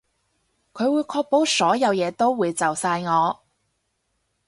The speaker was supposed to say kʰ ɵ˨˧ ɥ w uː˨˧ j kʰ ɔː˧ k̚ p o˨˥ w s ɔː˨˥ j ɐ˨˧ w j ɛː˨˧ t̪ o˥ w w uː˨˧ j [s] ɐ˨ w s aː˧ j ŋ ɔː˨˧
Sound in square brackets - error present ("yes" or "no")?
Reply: yes